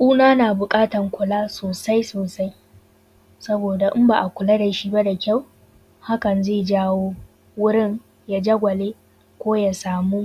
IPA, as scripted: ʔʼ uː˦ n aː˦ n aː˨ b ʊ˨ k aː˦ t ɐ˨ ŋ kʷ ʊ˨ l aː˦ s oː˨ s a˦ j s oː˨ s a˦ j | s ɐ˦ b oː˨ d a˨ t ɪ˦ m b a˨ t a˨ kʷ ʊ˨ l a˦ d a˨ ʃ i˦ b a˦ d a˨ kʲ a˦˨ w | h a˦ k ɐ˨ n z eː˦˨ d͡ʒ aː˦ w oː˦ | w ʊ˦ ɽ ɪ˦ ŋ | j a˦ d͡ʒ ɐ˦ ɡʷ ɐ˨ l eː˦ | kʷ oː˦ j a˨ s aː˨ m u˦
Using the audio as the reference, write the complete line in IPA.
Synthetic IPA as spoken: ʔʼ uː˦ n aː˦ n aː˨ b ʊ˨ kʼ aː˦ t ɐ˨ ŋ kʷ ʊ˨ l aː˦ s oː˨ s a˦ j s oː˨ s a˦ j | s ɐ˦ b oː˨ d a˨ ʔ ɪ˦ m b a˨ ʔ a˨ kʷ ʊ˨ l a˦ d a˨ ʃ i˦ b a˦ d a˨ kʲ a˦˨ w | h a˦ k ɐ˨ n z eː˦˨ d͡ʒ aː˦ w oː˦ | w ʊ˦ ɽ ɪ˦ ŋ | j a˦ d͡ʒ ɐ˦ ɡʷ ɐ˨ l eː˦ | kʷ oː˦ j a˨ s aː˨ m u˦